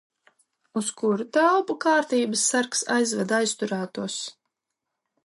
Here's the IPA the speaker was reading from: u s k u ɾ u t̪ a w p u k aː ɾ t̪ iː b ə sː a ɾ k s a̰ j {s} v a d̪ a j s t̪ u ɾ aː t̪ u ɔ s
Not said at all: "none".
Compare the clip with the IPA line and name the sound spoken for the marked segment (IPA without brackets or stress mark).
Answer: z